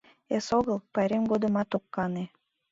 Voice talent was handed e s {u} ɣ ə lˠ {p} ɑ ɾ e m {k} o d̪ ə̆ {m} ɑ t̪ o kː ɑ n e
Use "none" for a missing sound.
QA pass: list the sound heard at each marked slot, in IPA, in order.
o, p, ɡ, m

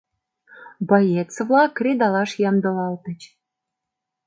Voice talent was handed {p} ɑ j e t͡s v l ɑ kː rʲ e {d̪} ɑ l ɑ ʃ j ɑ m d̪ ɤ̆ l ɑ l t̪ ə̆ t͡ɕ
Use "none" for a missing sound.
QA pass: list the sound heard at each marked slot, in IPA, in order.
b, d̪

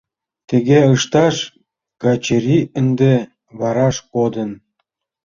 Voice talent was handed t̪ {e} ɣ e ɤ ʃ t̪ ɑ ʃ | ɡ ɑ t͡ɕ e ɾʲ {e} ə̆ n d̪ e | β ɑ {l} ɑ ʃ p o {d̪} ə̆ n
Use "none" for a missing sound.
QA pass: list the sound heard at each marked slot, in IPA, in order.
e, i, ɾ, d̪

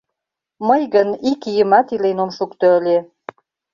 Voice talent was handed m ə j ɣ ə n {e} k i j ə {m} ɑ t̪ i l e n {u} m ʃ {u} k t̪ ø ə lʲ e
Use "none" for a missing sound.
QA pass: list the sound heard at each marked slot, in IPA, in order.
i, m, o, u

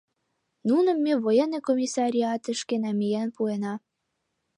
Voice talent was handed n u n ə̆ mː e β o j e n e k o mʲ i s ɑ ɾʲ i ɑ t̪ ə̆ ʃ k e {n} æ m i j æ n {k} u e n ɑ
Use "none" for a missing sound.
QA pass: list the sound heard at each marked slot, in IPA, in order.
n, p

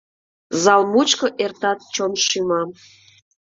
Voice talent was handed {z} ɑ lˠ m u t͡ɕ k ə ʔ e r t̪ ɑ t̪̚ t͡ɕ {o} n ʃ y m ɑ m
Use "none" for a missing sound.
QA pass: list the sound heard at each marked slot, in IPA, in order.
z, o

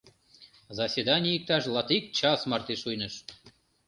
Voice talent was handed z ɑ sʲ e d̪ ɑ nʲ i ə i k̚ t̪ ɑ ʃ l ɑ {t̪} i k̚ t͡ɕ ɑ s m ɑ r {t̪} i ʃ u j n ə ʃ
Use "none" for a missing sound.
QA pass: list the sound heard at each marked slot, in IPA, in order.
t̪, t̪

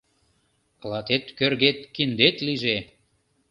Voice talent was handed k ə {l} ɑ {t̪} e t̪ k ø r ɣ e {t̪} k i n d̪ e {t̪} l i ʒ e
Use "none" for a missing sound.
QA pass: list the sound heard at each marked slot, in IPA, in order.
l, t̪, t̪, t̪

